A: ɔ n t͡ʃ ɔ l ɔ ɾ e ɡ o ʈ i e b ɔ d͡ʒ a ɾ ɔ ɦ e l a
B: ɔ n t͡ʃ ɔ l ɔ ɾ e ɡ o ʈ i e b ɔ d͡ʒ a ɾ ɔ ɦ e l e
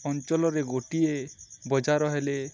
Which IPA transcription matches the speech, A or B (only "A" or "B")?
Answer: B